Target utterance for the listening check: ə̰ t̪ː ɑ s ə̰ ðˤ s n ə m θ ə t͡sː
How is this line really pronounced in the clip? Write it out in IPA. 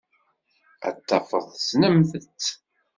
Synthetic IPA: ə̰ t̪ː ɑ f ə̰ ðˤ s n ə m θ ə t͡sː